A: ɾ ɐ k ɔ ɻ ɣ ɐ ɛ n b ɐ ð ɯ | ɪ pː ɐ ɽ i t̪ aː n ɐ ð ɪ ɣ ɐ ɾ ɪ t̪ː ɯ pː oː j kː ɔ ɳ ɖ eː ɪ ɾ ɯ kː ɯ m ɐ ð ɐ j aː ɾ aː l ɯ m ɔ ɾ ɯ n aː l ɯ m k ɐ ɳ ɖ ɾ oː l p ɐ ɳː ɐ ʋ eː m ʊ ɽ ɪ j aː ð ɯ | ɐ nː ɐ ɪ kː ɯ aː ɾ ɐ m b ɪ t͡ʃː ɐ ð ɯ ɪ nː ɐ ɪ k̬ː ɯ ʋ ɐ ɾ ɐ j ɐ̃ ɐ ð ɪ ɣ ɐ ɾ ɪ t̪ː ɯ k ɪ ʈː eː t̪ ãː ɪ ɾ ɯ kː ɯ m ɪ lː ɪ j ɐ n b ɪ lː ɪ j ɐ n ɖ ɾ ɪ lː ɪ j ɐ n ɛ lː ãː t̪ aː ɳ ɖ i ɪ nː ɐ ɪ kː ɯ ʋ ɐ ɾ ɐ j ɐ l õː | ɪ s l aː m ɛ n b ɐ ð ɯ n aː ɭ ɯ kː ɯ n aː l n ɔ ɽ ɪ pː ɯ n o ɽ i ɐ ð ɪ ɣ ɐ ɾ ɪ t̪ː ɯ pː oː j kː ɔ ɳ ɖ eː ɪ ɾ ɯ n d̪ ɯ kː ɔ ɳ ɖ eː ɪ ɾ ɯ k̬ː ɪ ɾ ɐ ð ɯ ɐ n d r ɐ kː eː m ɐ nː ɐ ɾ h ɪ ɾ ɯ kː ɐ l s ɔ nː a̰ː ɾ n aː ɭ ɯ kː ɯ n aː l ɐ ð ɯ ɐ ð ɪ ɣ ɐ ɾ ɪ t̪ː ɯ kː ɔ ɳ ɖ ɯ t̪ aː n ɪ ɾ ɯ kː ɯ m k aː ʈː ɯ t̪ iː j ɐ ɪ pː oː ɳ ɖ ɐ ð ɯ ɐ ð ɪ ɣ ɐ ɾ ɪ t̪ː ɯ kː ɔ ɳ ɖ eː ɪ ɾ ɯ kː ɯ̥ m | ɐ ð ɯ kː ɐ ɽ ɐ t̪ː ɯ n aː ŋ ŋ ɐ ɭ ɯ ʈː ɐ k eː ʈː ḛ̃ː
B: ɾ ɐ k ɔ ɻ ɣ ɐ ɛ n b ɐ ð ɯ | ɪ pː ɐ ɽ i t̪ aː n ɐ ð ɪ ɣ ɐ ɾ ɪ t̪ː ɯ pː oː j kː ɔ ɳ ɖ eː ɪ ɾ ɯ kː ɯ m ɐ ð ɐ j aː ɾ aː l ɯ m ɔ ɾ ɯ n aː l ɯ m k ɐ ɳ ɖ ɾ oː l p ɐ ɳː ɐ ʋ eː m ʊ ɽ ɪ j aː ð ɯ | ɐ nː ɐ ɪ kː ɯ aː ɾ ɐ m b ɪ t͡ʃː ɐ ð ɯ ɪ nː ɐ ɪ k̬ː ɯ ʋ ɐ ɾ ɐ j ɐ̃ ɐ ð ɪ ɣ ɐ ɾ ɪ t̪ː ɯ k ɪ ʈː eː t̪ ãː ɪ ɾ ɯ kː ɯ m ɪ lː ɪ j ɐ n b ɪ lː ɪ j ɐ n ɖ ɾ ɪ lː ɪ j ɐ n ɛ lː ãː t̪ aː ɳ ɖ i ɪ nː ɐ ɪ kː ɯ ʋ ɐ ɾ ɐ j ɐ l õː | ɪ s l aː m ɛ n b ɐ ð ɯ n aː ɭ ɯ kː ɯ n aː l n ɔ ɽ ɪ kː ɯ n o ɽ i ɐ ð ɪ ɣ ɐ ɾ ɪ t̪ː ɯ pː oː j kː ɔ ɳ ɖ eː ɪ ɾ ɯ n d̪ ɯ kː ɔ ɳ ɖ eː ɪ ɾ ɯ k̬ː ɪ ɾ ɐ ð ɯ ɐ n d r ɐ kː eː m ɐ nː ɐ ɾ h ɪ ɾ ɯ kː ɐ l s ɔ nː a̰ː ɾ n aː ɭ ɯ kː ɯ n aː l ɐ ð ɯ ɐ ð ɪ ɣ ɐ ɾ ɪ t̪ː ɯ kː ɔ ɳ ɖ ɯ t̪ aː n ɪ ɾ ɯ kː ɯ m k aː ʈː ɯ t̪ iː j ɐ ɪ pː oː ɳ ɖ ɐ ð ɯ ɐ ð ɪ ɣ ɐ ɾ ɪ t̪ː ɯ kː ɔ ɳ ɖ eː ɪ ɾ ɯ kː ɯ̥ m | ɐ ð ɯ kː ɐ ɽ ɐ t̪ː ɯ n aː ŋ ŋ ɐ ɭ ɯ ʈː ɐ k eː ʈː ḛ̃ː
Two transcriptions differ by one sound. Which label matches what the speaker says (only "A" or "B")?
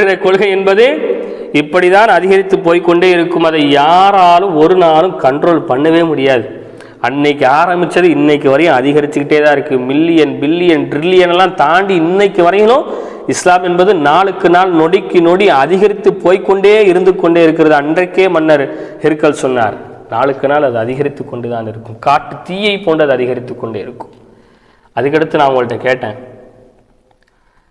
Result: B